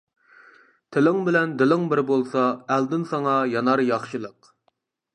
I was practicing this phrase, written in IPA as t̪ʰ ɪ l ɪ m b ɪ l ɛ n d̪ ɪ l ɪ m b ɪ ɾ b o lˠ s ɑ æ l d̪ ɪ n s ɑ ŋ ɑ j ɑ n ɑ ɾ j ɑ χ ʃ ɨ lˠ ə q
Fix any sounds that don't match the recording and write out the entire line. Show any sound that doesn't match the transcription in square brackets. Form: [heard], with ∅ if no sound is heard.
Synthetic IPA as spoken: t̪ʰ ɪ l ɪ [ŋ] b ɪ l ɛ n d̪ ɪ l ɪ [ŋ] b ɪ ɾ b o lˠ s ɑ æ l d̪ ɪ n s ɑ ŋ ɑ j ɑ n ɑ ɾ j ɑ χ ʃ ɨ lˠ ə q